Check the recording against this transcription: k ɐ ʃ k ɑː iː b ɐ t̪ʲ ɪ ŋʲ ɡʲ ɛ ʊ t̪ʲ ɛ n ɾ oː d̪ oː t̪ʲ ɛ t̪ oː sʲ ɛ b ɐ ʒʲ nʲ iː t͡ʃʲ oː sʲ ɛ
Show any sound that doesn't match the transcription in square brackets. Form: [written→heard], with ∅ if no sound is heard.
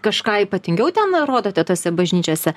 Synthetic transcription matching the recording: k ɐ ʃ k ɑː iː [b→p] ɐ t̪ʲ ɪ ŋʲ ɡʲ ɛ ʊ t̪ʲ ɛ n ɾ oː d̪ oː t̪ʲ ɛ t̪ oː sʲ ɛ b ɐ ʒʲ nʲ iː t͡ʃʲ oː sʲ ɛ